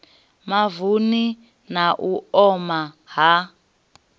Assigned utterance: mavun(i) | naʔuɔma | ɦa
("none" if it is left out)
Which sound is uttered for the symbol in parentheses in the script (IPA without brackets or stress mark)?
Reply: i